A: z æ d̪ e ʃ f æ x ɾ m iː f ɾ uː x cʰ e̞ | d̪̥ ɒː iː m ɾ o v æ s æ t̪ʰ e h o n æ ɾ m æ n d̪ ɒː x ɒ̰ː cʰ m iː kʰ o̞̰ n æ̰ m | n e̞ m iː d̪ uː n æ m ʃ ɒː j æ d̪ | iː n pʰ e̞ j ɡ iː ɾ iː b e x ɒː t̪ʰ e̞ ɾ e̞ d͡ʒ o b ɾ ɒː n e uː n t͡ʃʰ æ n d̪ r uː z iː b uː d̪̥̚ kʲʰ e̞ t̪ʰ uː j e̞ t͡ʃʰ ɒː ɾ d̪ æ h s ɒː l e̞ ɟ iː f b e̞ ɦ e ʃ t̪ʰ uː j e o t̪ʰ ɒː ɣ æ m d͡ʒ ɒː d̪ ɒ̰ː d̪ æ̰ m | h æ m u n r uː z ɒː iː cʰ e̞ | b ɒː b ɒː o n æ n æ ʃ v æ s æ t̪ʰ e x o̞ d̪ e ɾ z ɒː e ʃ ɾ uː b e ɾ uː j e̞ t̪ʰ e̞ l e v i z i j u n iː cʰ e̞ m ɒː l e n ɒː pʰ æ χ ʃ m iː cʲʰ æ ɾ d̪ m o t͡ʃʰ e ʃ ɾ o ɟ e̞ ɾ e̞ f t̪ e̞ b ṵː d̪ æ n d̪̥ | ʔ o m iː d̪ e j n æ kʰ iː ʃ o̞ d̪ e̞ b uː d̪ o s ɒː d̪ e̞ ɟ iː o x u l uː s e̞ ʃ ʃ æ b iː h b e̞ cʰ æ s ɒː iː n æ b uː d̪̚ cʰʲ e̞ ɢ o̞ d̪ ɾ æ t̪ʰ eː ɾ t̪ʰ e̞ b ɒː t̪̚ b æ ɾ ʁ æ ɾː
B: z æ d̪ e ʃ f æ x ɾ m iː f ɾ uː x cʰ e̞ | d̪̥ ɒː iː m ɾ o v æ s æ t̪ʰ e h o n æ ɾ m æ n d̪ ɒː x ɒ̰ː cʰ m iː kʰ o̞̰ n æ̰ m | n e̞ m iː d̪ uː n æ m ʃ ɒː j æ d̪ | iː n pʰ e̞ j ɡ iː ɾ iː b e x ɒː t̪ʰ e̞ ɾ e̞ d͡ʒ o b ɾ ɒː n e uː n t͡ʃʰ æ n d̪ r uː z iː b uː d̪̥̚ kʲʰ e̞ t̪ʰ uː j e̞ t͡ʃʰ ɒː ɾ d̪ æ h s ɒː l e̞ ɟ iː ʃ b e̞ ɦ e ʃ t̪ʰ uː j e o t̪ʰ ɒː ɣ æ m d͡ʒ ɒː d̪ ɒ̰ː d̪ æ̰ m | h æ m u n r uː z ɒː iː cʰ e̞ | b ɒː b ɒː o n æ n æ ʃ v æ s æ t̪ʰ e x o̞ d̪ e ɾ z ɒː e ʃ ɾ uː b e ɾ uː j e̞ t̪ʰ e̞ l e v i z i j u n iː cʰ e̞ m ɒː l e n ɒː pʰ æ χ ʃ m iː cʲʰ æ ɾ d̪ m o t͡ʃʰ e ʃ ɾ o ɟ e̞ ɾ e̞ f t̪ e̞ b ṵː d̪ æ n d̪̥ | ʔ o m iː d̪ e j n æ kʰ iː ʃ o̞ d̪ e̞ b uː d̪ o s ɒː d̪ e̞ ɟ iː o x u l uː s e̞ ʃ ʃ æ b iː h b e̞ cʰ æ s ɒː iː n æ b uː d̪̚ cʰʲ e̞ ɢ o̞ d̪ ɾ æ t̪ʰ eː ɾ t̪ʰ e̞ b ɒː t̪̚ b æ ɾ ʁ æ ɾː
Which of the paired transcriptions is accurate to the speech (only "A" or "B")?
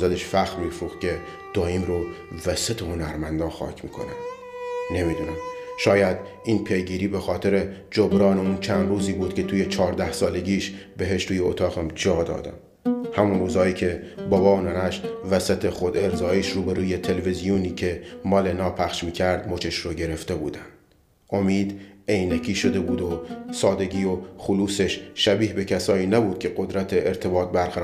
B